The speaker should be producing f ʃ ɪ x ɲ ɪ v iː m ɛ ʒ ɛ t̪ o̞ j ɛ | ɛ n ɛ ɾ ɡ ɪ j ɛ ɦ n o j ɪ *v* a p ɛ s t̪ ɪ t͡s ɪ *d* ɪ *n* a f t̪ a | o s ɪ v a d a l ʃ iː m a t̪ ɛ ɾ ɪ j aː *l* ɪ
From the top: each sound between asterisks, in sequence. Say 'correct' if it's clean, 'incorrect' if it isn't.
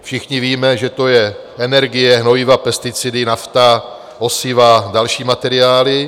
correct, correct, correct, correct

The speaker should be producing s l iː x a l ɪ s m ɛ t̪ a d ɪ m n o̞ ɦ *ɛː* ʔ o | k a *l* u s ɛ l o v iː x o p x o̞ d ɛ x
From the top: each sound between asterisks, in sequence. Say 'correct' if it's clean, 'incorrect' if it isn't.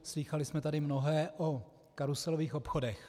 correct, incorrect

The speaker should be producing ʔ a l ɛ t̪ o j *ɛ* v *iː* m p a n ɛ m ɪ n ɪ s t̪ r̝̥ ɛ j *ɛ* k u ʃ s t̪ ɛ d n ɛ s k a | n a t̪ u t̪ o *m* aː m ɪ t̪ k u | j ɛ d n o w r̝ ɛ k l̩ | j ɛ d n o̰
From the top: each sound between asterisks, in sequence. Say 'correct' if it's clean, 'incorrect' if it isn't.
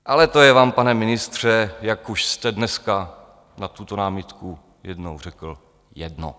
correct, incorrect, incorrect, incorrect

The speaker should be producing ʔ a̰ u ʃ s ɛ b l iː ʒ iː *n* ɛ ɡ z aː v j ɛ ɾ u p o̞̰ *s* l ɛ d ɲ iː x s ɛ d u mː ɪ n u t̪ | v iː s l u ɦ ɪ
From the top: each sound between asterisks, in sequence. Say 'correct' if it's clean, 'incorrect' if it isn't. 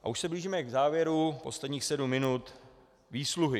incorrect, correct

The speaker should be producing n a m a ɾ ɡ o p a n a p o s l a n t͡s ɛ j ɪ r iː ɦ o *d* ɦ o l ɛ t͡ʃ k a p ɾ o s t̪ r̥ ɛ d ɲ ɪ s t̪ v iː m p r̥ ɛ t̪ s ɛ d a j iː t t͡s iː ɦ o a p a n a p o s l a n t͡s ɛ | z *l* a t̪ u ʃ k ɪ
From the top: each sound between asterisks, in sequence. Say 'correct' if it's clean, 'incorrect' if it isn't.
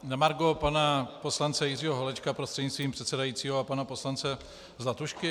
incorrect, correct

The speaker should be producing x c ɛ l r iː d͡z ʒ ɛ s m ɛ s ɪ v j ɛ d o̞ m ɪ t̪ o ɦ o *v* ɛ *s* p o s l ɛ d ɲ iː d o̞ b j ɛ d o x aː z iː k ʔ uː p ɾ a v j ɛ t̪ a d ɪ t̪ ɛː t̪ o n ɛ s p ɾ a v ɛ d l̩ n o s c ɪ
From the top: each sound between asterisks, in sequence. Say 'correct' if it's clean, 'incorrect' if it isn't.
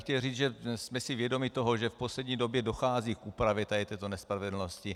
incorrect, incorrect

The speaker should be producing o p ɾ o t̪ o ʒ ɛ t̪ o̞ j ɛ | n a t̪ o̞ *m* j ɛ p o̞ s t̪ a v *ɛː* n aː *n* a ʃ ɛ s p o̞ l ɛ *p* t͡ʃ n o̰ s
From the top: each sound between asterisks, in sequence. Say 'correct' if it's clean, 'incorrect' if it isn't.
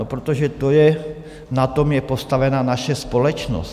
correct, incorrect, correct, incorrect

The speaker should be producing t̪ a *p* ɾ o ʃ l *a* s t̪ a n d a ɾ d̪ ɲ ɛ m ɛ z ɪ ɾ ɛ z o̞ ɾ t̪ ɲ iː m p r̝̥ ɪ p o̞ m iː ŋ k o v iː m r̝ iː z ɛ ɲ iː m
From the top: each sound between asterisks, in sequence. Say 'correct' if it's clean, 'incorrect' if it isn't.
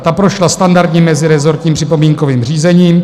correct, correct

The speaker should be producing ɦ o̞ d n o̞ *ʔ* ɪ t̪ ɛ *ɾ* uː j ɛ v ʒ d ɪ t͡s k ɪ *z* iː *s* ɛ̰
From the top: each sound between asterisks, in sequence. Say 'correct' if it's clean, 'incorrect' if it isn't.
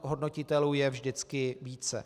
incorrect, incorrect, incorrect, incorrect

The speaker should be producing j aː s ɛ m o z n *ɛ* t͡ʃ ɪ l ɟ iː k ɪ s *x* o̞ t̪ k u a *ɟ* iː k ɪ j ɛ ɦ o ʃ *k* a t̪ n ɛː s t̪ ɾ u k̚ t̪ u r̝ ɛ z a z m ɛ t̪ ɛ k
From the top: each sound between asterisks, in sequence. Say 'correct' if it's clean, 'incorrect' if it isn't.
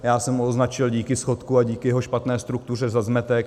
incorrect, correct, correct, incorrect

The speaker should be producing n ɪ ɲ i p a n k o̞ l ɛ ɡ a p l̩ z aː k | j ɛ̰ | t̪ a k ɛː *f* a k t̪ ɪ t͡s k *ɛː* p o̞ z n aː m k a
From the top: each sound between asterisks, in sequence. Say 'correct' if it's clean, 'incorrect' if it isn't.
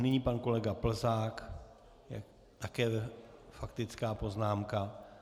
correct, incorrect

